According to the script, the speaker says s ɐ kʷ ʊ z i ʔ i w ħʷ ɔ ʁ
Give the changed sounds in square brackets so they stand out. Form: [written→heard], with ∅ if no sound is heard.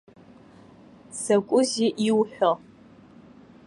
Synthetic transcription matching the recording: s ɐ [kʷ→kʷʼ] ʊ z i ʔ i w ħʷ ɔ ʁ